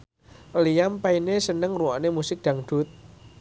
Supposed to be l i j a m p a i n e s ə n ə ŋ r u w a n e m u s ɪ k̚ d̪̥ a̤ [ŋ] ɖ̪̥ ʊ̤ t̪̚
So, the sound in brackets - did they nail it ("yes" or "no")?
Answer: yes